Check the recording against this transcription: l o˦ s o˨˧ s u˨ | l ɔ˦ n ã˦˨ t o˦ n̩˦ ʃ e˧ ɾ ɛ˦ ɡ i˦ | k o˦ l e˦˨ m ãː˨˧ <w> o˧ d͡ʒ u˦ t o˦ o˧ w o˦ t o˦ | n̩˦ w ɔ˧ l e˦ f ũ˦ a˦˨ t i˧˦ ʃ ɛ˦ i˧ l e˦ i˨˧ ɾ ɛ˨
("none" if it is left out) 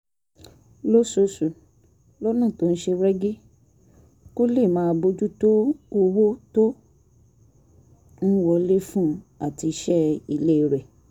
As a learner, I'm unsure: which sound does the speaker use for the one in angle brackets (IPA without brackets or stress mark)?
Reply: b